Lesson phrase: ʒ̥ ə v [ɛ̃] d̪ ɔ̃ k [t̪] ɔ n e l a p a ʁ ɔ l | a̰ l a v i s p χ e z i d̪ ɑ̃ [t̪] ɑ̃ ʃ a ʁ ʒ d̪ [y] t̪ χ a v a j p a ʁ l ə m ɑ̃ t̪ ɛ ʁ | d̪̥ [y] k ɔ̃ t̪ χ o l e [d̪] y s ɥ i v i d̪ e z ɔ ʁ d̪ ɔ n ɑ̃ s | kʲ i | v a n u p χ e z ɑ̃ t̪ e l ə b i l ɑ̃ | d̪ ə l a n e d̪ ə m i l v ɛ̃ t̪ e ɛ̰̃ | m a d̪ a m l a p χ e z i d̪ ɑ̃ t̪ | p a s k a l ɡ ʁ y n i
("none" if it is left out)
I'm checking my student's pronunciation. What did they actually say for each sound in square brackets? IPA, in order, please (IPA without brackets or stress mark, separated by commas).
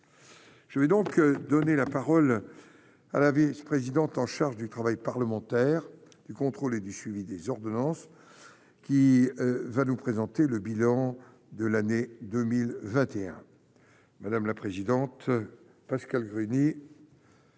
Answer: ɛ, d̪, t̪, y, y, d̪